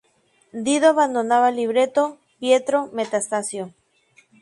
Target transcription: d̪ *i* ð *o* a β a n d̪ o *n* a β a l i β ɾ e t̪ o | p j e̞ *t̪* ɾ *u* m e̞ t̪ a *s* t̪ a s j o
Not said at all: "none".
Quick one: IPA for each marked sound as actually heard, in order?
i, o, n, t̪, o, s

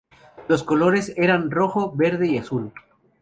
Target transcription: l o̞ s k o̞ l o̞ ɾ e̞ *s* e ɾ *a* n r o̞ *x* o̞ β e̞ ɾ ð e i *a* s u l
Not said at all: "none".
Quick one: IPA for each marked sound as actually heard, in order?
s, a, x, a

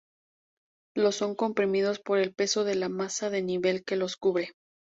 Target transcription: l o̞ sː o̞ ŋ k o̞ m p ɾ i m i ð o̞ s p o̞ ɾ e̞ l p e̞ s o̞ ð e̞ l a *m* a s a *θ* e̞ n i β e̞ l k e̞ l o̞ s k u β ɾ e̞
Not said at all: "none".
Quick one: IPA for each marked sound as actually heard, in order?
m, ð

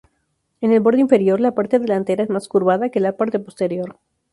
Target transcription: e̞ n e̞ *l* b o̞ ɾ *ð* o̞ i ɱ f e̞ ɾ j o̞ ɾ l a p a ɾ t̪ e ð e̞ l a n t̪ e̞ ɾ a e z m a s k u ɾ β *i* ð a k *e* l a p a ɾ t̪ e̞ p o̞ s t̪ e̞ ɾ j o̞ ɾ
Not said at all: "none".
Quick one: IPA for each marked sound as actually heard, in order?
l, ð, a, e

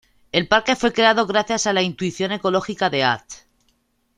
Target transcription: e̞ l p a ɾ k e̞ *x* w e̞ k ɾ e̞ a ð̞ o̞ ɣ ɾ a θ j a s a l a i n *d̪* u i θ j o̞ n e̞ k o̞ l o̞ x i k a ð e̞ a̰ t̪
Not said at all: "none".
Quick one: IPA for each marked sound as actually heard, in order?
f, t̪

